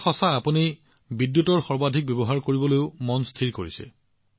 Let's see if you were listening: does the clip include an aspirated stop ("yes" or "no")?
yes